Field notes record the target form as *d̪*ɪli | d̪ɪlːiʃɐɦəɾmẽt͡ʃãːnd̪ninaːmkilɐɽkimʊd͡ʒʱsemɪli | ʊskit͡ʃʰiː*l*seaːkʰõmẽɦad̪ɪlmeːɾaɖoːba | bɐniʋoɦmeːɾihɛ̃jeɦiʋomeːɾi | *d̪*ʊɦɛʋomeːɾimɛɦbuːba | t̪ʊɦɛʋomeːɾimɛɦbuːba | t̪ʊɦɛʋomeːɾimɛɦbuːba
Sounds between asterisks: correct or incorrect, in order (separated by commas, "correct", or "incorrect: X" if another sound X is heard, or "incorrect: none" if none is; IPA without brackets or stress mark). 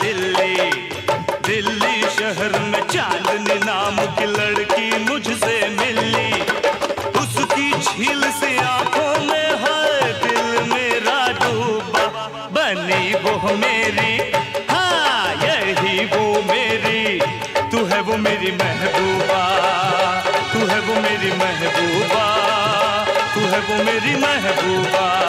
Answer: correct, correct, incorrect: t̪